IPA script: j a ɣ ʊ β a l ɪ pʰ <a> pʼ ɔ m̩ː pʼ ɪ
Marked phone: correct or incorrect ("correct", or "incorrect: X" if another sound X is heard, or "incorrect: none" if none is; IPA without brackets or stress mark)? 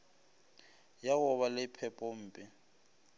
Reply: incorrect: ɛ